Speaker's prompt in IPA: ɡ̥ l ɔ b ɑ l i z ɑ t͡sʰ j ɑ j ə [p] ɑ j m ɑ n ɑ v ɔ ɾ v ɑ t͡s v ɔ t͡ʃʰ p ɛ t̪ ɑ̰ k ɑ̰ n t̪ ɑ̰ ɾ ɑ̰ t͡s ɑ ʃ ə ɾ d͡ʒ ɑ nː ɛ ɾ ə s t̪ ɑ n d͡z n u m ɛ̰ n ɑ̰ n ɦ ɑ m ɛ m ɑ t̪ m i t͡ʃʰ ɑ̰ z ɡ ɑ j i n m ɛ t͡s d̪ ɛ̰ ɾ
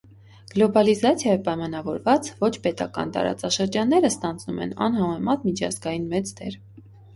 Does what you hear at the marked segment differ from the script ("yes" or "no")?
no